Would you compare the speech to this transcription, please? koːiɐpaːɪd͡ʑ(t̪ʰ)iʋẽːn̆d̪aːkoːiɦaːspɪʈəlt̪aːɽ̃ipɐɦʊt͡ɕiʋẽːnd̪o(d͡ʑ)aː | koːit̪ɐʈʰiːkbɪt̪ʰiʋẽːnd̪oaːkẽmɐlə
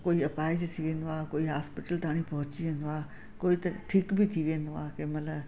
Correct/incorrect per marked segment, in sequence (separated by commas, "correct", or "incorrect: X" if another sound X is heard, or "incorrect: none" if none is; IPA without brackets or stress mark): correct, incorrect: none